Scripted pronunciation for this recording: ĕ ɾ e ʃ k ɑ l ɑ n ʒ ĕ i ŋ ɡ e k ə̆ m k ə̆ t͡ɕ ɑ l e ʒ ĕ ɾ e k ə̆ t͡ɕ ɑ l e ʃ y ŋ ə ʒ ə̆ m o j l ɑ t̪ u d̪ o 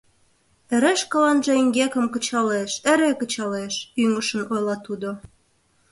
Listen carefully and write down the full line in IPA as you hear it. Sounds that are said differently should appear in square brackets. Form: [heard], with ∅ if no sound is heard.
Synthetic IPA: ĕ ɾ e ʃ k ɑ l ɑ n ʒ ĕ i ŋ ɡ e k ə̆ m k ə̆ t͡ɕ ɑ l e [ʃ] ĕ ɾ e k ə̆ t͡ɕ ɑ l e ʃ y ŋ ə [ʃ] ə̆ [n] o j l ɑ t̪ u d̪ o